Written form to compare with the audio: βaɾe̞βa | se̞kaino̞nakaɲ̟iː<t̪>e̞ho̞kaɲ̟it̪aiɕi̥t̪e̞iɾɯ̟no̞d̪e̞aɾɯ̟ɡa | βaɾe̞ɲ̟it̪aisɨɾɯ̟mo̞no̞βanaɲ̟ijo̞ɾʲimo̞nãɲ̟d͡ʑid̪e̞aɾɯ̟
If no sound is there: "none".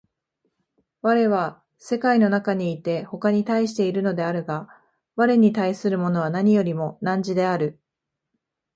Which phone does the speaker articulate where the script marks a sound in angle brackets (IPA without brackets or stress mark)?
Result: t̪